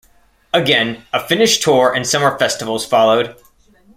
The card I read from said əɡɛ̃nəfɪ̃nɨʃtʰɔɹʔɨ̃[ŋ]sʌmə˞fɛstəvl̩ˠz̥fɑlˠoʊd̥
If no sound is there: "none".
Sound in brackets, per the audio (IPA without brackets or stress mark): n